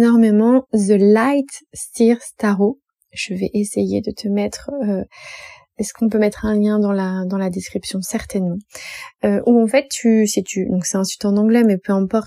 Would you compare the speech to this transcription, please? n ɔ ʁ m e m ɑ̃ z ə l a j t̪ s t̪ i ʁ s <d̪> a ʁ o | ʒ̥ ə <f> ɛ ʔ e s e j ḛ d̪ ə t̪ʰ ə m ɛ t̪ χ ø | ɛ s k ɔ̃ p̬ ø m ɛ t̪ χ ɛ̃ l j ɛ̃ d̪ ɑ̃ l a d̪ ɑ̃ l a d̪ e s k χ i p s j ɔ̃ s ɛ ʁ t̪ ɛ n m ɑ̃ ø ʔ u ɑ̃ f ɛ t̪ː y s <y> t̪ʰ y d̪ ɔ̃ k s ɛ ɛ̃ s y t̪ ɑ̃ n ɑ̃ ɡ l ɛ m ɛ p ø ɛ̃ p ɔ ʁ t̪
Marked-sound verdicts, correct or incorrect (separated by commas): incorrect, incorrect, incorrect